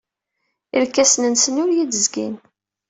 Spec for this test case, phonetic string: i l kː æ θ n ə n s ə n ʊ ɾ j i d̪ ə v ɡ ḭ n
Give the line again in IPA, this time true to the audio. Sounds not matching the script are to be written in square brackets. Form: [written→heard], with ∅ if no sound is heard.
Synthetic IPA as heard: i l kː æ [θ→s] n ə n s ə n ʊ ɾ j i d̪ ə [v→z] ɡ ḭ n

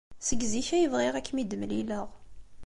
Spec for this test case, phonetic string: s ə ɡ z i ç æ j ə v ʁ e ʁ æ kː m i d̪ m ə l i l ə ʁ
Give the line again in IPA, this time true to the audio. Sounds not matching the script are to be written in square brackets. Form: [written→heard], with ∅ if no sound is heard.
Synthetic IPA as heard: s ə ɡ z i ç æ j ə v ʁ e ʁ æ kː m i d̪ m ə l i l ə ʁ

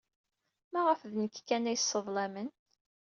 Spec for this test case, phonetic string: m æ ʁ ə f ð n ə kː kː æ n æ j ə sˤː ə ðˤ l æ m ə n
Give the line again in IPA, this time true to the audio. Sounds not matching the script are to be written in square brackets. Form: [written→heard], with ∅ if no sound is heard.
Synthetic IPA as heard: m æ ʁ ə f ð n ə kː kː æ n æ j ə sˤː ə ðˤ l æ m ə n

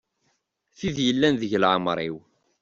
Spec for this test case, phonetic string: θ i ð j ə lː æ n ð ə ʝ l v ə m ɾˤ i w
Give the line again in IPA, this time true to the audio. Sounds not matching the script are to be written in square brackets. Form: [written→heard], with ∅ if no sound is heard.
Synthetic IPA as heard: θ i ð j ə lː æ n ð ə ʝ l [v→ʕ] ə m ɾˤ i w

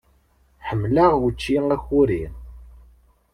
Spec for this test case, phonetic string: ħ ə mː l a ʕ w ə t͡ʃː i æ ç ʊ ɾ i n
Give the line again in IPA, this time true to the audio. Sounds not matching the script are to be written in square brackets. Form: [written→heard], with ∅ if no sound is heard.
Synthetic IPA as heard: ħ ə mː l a [ʕ→ʁ] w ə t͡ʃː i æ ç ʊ ɾ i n

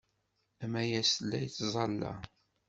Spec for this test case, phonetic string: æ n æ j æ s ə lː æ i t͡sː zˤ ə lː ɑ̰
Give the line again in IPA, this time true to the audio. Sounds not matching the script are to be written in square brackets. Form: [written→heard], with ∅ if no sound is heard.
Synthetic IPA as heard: æ [n→m] æ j æ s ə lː æ [i→j] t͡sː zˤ [ə→ɑ] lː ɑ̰

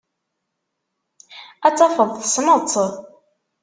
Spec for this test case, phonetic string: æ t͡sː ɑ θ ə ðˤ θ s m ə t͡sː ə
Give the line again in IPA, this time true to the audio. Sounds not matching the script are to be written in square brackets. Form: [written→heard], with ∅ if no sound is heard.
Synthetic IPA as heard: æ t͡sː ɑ [θ→f] ə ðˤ θ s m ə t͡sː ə

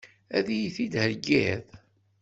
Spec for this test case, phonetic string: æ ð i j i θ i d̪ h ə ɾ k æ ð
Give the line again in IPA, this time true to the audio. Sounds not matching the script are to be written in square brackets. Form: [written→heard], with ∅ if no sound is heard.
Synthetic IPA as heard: æ ð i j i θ i d̪ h ə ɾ [k→ɡ] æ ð

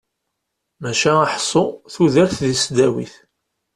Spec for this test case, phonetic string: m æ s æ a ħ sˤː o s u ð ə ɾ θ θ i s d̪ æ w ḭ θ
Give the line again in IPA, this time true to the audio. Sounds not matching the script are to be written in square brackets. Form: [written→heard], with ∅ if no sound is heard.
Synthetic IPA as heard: m æ [s→ʃ] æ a ħ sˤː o [s→θ] u ð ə ɾ θ [θ→ð] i s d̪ æ w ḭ θ

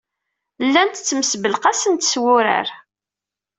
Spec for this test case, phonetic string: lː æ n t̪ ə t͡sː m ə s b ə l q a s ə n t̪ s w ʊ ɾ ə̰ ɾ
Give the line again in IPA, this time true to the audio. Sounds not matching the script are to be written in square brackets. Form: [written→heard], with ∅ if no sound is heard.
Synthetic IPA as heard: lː æ n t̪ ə t͡sː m ə s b ə l q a s ə n t̪ s w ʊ ɾ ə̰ ɾ

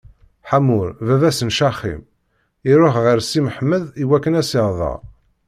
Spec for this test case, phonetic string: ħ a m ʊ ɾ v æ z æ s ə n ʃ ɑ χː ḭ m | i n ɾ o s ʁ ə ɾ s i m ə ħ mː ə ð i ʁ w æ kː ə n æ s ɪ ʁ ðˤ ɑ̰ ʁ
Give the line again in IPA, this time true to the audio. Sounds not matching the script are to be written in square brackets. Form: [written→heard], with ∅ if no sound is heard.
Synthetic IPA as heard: ħ a m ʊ ɾ v æ [z→v] æ s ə n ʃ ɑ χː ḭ m | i [n→∅] ɾ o [s→χ] ʁ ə ɾ s i m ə ħ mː ə ð i [ʁ→∅] w æ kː ə n æ s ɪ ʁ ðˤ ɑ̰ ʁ

